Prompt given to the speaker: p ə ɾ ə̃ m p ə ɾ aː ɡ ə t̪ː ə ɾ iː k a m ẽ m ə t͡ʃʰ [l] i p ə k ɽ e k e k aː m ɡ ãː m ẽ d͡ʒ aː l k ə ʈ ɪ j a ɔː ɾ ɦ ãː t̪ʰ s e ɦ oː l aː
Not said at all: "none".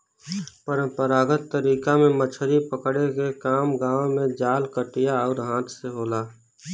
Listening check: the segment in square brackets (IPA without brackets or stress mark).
ɾ